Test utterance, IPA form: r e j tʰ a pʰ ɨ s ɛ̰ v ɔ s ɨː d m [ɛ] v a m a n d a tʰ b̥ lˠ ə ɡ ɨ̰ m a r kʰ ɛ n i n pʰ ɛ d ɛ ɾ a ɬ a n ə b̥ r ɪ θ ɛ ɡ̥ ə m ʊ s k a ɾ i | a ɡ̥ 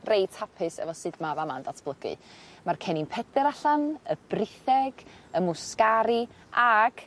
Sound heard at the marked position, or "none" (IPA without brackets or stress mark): a